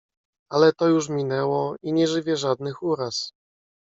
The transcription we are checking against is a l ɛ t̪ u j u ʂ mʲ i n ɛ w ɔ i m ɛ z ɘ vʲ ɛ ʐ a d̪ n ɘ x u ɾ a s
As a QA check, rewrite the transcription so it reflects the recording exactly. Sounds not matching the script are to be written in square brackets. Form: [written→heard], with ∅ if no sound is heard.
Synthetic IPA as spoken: a l ɛ t̪ [u→ɔ] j u ʂ mʲ i n ɛ w ɔ i [m→ɲ] ɛ [z→ʐ] ɘ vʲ ɛ ʐ a d̪ n ɘ x u ɾ a s